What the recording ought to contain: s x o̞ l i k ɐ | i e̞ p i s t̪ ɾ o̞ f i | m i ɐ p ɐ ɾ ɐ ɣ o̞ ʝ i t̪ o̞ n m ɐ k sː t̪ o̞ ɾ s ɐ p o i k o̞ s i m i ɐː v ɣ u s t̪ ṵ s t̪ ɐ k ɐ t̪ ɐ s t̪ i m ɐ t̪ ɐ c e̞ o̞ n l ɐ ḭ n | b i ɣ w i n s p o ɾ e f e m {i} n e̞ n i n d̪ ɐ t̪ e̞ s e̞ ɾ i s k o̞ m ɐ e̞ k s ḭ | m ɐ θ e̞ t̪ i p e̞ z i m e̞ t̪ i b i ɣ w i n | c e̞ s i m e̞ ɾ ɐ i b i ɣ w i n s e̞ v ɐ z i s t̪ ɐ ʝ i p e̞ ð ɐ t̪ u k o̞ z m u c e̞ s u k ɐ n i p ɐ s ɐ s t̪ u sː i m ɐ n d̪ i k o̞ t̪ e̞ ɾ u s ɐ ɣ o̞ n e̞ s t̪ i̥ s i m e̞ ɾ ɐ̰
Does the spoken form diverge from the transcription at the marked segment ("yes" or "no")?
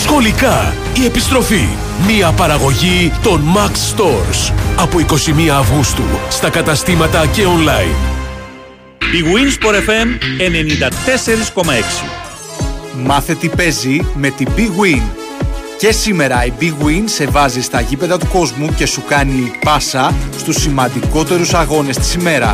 yes